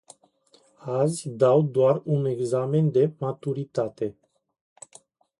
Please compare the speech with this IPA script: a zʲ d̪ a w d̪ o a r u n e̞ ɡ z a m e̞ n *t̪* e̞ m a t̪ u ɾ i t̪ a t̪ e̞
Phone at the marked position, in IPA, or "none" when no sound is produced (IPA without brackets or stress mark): d̪